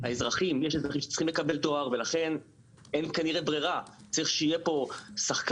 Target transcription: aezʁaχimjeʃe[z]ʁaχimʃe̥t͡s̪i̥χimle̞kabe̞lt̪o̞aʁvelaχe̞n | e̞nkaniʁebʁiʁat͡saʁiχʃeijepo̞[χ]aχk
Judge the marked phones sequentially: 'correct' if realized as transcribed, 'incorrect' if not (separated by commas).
correct, incorrect